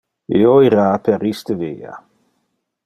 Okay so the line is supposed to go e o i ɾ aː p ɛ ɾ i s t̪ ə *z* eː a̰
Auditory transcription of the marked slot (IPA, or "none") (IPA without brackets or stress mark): v